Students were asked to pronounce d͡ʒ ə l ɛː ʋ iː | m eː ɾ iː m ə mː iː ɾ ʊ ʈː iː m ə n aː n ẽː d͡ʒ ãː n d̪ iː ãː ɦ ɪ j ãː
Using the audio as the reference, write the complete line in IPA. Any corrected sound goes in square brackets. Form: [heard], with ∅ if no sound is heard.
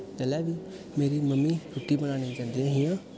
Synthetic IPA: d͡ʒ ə l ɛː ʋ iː | m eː ɾ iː m ə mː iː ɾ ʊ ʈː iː [b] ə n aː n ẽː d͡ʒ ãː n d̪ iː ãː ɦ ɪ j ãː

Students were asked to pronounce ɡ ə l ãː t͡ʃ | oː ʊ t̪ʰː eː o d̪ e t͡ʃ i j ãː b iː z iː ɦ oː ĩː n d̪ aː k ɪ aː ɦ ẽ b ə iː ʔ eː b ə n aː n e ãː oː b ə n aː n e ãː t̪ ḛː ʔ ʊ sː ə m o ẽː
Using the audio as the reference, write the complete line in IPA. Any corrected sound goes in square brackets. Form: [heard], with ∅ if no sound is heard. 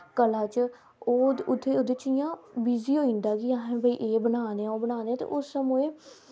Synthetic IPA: [k] ə l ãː t͡ʃ | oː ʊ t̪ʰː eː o d̪ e t͡ʃ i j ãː b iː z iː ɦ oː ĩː n d̪ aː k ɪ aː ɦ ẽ b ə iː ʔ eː b ə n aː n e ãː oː b ə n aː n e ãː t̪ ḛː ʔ ʊ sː ə m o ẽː

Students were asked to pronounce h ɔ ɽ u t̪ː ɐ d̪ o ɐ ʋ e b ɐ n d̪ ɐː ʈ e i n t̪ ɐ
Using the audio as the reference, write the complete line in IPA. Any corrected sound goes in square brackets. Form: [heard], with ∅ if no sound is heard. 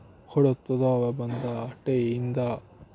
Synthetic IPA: h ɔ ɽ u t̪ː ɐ d̪ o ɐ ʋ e b ɐ n d̪ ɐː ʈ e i n [d̪] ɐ

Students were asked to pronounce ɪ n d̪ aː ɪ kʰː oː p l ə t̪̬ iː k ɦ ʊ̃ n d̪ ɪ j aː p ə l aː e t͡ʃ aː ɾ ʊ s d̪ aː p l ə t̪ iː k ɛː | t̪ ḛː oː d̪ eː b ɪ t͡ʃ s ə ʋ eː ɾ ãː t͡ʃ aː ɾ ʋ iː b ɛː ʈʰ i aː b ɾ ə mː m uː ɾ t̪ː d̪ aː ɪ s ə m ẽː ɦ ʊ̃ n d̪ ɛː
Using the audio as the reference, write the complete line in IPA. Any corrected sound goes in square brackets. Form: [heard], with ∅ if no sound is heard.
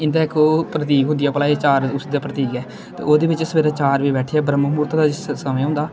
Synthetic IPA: ɪ n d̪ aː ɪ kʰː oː p [ɾ] ə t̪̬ iː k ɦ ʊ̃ n d̪ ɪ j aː p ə l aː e t͡ʃ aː ɾ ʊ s d̪ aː p [ɾ] ə t̪ iː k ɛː | t̪ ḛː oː d̪ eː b ɪ t͡ʃ s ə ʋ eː ɾ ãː t͡ʃ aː ɾ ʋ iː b ɛː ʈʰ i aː b ɾ ə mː m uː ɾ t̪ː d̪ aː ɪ s ə m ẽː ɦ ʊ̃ n d̪ [aː]

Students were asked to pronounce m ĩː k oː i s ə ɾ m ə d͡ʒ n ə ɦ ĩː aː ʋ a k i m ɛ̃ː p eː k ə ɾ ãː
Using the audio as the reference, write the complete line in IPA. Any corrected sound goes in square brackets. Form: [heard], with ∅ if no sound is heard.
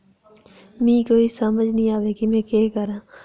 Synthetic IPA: m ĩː k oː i s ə [∅] m ə d͡ʒ n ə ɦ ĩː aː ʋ [e] k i m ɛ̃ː [k] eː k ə ɾ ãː

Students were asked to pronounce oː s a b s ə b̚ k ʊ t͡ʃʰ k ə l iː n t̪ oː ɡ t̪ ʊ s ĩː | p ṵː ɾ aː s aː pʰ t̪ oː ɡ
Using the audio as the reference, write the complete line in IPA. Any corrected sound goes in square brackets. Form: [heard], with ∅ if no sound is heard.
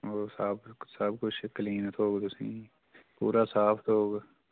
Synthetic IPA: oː s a b s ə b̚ k ʊ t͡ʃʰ k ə l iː n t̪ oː ɡ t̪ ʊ s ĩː | p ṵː ɾ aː s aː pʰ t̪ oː ɡ

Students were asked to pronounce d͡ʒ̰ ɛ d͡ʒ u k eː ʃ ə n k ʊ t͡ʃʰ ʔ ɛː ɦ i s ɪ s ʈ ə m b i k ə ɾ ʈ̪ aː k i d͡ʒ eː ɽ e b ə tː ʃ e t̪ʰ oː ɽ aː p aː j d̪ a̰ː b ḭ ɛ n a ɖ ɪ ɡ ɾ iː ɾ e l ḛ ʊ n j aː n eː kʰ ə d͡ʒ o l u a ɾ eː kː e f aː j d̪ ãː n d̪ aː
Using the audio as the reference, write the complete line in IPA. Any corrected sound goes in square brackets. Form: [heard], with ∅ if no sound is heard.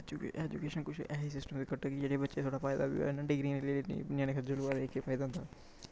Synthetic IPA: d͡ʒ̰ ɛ d͡ʒ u k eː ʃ ə n k ʊ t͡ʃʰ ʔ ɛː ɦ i s ɪ s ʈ ə m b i k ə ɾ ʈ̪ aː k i d͡ʒ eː ɽ e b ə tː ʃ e t̪ʰ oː ɽ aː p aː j d̪ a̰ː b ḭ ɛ n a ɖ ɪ ɡ ɾ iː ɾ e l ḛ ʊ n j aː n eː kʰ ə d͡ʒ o l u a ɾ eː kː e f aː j d̪ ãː n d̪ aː

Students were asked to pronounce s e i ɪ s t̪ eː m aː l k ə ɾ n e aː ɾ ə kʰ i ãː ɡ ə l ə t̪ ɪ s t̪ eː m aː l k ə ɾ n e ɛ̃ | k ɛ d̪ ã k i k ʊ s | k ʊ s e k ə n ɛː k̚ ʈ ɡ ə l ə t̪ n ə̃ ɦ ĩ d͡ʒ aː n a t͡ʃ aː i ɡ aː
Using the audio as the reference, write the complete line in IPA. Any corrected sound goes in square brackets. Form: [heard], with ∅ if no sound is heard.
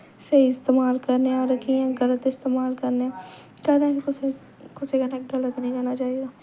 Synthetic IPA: s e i ɪ s t̪ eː m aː l k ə ɾ n e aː ɾ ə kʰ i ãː ɡ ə l ə t̪ ɪ s t̪ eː m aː l k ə ɾ n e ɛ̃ | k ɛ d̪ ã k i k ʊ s | k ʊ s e k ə n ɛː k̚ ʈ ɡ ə l ə t̪ n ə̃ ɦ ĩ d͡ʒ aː n a t͡ʃ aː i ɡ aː

